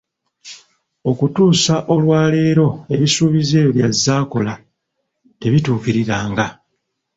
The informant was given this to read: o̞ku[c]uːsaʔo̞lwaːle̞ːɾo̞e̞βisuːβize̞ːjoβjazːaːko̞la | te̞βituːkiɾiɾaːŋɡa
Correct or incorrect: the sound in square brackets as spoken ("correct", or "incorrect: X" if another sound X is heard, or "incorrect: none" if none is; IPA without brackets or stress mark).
incorrect: t